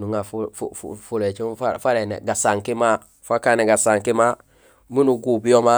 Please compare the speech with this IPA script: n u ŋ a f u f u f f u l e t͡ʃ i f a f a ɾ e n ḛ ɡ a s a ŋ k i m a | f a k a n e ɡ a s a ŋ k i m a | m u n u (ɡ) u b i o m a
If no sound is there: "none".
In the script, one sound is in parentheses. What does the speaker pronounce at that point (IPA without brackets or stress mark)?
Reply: ɡ